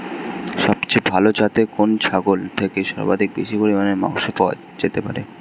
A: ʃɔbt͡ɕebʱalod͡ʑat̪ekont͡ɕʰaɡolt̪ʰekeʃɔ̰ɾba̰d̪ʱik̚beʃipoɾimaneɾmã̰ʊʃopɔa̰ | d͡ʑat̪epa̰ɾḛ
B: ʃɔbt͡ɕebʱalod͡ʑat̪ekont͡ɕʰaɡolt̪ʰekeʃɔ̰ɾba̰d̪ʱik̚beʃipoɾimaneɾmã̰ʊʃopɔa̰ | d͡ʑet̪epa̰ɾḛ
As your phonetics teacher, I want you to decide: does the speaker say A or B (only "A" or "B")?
B